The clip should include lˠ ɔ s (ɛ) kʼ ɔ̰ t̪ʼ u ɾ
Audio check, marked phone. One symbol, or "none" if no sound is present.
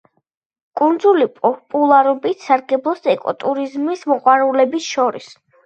ɛ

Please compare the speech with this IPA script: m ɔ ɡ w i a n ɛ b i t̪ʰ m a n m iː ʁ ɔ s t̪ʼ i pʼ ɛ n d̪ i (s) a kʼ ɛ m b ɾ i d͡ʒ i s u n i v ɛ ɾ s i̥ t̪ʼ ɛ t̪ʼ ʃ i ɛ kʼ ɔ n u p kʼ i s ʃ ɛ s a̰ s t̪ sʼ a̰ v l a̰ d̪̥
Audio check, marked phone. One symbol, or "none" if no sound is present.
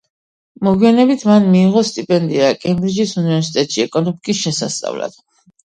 none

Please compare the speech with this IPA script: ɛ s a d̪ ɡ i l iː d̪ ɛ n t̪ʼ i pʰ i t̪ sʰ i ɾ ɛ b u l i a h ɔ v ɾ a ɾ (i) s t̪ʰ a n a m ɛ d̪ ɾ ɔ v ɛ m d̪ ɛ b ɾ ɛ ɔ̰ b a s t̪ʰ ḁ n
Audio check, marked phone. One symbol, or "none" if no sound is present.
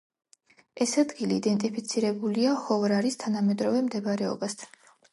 i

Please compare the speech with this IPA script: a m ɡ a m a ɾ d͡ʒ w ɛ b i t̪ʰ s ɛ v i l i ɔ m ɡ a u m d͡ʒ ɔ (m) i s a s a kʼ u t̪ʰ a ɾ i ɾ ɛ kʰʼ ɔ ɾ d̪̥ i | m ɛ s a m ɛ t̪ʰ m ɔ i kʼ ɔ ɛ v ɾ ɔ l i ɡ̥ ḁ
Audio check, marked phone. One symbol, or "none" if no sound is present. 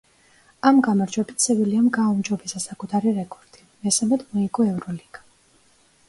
b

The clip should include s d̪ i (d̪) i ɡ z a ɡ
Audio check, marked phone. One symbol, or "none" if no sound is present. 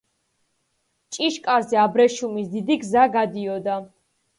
d̪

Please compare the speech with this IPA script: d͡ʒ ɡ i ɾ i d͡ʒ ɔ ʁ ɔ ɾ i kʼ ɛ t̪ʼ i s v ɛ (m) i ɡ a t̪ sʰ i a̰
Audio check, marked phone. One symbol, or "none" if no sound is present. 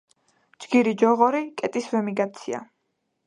m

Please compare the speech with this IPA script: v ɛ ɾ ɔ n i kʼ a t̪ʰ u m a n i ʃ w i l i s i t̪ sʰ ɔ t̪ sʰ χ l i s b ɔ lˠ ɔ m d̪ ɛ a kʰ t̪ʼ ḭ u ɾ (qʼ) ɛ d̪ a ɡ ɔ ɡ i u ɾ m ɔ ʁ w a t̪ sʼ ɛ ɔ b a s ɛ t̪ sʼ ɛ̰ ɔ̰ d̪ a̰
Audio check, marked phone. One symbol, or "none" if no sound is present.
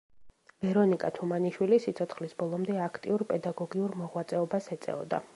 pʼ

